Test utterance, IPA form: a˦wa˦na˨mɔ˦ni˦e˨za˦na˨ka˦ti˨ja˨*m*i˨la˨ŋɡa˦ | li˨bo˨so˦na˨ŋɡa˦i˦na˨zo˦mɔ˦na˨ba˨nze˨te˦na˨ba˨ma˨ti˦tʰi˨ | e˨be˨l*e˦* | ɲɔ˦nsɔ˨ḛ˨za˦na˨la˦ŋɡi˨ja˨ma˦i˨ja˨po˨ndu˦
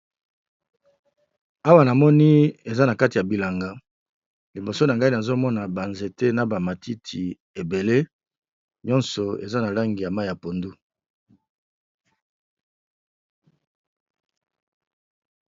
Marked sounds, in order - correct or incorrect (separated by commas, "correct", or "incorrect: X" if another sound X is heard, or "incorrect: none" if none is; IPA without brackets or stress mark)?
incorrect: b, correct